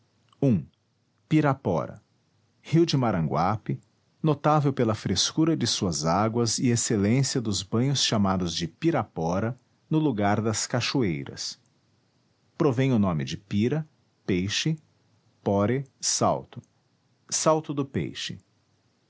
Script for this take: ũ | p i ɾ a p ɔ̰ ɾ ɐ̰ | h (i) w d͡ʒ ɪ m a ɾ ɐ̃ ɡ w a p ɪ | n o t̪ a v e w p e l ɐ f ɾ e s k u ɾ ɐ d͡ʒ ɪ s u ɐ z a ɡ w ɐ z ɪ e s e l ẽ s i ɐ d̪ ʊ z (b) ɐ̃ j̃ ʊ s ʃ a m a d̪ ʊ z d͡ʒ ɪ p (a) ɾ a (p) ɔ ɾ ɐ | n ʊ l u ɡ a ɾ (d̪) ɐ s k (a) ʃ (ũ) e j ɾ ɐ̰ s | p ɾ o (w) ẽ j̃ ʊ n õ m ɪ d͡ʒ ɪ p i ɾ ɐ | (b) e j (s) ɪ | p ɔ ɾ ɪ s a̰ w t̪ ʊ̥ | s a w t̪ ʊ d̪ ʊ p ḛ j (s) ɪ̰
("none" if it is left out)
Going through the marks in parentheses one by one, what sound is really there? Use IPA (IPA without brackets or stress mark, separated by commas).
i, b, i, p, d̪, a, u, v, p, ʃ, ʃ